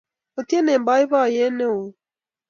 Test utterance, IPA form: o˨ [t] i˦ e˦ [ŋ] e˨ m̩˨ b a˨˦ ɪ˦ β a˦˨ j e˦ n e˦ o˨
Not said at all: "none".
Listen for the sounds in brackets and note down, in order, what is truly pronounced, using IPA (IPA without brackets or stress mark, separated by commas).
t, n